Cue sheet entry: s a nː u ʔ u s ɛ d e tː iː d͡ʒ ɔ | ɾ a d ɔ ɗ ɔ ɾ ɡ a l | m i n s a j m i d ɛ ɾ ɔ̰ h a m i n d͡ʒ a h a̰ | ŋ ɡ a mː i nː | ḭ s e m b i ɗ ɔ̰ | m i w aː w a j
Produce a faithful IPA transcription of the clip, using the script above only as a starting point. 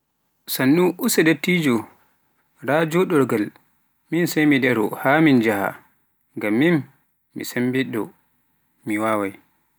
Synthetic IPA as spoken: s a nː u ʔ u s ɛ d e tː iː d͡ʒ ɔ | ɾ a d͡ʒ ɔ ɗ ɔ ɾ ɡ a l | m i n s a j m i d ɛ ɾ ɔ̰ h a m i n d͡ʒ a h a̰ | ŋ ɡ a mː i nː | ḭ s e m b i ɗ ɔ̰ | m i w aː w a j